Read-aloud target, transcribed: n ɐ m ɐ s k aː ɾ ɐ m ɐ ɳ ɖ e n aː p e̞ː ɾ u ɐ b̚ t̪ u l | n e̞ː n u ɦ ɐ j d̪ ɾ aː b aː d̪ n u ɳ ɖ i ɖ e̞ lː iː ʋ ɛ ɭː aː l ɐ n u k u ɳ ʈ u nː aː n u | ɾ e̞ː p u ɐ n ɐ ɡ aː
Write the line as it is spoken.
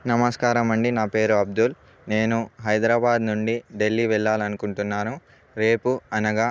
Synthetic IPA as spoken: n ɐ m ɐ s k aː ɾ ɐ m ɐ ɳ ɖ i n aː p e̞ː ɾ u ɐ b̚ d̪ u l | n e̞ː n u ɦ ɐ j d̪ ɾ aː b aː d̪ n u ɳ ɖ i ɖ e̞ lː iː ʋ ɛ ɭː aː l ɐ n u k u ɳ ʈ u nː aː n u | ɾ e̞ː p u ɐ n ɐ ɡ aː